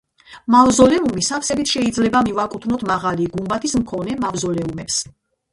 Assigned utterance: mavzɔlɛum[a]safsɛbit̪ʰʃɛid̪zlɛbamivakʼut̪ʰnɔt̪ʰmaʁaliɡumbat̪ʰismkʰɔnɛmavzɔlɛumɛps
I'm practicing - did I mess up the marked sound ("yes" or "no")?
yes